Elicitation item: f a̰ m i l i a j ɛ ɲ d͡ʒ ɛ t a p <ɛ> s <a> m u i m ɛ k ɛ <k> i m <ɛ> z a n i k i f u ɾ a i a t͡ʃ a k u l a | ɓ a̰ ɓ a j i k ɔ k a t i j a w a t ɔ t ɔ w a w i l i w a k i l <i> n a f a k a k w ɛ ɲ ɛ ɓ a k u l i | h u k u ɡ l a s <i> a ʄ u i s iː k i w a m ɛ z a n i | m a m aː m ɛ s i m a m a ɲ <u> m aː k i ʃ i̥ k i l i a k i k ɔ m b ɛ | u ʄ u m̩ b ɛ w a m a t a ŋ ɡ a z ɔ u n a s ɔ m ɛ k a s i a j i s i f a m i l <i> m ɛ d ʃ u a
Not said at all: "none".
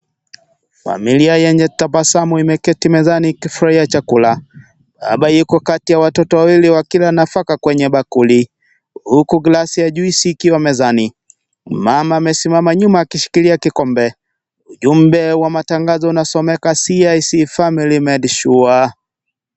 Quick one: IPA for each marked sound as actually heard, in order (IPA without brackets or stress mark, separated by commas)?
a, a, t, ɛ, a, i, u, i